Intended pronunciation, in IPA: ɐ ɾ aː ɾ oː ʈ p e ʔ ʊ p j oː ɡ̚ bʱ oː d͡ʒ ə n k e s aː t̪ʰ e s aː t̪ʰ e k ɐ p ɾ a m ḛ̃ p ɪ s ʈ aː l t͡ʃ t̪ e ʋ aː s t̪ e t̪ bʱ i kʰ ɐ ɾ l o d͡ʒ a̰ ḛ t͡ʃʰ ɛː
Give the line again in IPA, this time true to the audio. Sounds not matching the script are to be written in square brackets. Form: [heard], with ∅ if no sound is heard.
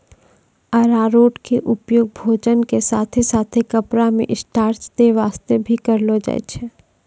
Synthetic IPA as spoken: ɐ ɾ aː ɾ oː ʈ [k] e ʔ ʊ p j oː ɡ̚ bʱ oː d͡ʒ ə n k e s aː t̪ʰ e s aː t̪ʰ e k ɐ p ɾ a m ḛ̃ [ʔ] ɪ s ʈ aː [ɾ] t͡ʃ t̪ e ʋ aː s t̪ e [∅] bʱ i [k] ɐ ɾ l o d͡ʒ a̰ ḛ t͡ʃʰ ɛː